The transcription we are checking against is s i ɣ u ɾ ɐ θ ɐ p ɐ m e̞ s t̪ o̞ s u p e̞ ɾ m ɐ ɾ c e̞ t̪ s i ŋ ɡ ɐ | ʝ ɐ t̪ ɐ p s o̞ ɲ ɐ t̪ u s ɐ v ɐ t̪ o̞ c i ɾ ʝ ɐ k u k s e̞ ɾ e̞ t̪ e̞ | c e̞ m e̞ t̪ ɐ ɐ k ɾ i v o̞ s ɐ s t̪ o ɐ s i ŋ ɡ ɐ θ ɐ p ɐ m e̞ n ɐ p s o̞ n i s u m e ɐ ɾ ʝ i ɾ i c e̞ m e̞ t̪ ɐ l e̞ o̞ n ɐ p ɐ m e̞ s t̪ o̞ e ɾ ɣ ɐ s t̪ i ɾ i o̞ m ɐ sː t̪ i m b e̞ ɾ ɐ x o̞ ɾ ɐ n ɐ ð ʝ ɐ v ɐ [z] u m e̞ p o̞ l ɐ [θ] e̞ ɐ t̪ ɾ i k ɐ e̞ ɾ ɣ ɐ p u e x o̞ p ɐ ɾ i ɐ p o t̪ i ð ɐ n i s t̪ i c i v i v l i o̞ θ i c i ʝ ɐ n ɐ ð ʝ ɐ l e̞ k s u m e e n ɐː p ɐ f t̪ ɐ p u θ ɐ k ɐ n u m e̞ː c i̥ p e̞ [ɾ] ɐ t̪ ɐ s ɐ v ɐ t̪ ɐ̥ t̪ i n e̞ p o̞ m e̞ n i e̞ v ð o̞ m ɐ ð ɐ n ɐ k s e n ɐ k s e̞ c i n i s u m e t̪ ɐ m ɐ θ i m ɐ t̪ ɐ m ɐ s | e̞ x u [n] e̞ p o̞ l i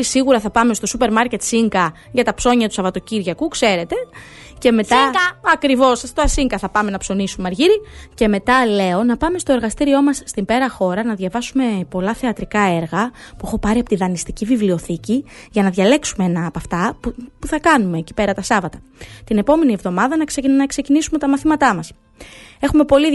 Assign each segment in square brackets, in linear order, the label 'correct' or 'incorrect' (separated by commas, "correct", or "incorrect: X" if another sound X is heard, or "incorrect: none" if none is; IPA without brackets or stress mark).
incorrect: s, correct, correct, incorrect: m